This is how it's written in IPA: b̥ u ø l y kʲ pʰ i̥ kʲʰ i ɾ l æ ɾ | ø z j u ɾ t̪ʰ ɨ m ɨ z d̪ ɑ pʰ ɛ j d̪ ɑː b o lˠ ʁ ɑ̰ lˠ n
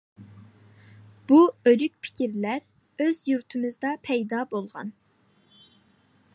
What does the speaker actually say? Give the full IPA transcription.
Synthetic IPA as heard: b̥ u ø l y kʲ pʰ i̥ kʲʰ i ɾ l æ ɾ | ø z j u ɾ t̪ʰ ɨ m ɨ z d̪ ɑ pʰ ɛ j d̪ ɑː b o lˠ ʁ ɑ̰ n